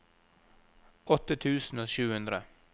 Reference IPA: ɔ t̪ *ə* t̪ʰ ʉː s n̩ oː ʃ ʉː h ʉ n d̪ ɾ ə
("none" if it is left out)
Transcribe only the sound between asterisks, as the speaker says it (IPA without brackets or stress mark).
ə